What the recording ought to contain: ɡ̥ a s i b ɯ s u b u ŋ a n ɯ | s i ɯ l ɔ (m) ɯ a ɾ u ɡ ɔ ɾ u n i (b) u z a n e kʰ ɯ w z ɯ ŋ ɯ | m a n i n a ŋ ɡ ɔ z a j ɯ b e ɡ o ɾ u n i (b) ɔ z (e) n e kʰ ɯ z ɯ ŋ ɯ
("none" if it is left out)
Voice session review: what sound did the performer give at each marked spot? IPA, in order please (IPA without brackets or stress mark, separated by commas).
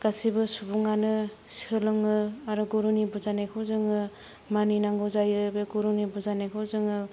ŋ, b, b, a